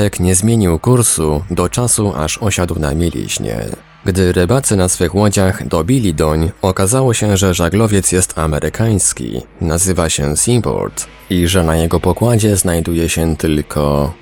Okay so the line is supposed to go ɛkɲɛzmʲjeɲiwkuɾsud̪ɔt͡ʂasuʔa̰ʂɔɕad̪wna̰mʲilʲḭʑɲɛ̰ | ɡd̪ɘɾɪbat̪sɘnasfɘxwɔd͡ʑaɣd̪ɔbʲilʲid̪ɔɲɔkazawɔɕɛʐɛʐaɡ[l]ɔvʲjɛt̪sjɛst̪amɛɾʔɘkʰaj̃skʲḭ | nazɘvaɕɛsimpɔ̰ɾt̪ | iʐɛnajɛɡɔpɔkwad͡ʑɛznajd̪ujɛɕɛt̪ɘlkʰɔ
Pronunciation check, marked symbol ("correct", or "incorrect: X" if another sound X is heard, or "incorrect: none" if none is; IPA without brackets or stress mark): correct